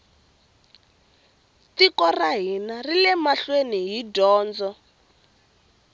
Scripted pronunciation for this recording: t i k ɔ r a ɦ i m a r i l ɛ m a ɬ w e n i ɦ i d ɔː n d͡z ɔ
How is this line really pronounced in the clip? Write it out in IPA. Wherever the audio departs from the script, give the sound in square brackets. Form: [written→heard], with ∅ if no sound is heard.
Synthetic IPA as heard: t i k ɔ r a ɦ i [m→n] a r i l ɛ m a ɬ w e n i ɦ i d ɔː n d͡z ɔ